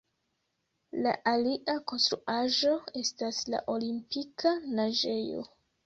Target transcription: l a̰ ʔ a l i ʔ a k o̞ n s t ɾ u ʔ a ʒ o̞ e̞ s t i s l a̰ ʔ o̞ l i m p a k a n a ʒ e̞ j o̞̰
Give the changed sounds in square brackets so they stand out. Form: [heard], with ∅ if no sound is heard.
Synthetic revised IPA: l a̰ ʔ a l i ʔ a k o̞ n s t ɾ u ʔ a ʒ o̞ e̞ s t [a] s l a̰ ʔ o̞ l i m p [i] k a n a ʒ e̞ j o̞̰